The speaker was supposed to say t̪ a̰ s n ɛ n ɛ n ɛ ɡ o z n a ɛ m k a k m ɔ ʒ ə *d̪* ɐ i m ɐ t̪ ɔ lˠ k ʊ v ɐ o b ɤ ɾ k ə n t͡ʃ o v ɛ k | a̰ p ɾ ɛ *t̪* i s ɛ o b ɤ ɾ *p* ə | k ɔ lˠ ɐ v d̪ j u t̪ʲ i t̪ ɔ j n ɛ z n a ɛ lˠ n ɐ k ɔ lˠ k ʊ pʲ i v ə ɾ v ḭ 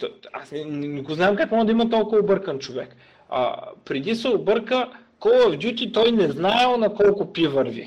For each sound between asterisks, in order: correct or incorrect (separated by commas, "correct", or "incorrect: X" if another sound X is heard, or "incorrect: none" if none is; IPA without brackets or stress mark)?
correct, incorrect: d̪, incorrect: k